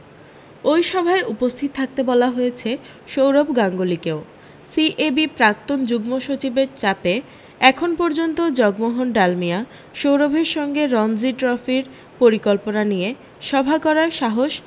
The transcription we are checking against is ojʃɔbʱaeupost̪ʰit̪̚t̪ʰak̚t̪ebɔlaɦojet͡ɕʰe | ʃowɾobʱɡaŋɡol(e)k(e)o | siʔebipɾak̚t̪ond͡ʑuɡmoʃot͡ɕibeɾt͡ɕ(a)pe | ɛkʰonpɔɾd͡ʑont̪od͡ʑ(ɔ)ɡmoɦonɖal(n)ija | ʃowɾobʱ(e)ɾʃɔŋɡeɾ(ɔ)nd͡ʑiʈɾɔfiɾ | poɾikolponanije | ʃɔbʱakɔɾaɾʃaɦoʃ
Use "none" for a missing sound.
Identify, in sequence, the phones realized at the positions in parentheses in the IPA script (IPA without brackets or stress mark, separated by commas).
i, e, a, ɔ, m, e, ɔ